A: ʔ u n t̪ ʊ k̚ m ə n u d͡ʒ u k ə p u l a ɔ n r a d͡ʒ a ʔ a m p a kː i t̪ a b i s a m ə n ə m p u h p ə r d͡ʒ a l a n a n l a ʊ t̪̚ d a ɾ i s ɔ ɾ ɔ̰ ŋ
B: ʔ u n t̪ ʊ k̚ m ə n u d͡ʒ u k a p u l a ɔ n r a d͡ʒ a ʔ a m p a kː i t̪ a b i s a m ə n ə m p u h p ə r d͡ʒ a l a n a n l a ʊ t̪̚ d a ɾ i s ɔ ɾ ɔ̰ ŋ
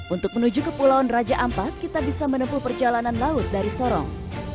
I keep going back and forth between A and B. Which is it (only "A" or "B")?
A